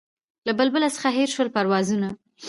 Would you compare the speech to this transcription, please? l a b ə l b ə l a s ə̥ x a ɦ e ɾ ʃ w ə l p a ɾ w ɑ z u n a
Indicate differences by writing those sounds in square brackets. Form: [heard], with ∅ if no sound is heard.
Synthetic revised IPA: l a b ə l b ə l a s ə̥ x a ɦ e ɾ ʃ w ə l p a ɾ w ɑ z u n a